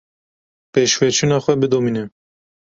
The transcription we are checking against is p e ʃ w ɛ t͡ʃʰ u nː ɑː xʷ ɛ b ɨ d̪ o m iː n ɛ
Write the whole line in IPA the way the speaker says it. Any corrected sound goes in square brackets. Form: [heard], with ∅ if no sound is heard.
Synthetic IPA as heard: p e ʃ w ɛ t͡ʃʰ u [n] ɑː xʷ ɛ b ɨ d̪ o m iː n ɛ